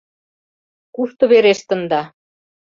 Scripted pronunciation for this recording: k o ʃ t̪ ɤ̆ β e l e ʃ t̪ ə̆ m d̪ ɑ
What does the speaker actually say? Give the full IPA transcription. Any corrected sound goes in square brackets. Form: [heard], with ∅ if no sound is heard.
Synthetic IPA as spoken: k [u] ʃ t̪ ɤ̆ β e [ɾ] e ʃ t̪ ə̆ [n] d̪ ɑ